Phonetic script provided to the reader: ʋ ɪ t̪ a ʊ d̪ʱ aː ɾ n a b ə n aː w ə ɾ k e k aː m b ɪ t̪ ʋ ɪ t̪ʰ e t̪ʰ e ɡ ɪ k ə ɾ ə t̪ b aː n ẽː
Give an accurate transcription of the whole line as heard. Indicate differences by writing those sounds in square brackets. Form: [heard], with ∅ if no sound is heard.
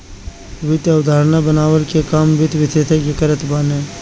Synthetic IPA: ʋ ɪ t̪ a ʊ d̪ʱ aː ɾ n a b ə n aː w ə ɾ k e k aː m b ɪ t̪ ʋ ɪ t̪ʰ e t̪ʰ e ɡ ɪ k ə ɾ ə t̪ b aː n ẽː